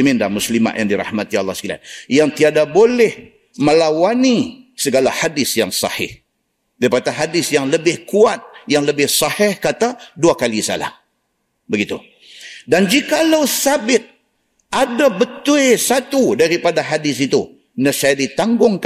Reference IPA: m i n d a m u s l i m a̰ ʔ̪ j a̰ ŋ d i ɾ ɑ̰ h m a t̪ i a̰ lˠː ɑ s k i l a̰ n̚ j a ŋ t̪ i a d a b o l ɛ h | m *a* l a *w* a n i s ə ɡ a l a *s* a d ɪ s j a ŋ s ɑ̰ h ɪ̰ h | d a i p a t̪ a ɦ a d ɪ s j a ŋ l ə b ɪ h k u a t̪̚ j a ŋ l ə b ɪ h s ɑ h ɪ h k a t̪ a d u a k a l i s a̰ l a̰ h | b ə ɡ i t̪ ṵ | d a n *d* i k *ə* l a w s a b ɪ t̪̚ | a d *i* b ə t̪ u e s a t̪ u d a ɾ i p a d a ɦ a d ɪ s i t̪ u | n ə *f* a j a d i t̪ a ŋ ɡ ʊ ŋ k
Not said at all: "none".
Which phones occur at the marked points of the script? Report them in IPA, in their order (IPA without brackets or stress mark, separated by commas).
ə, w, h, d͡ʒ, a, a, s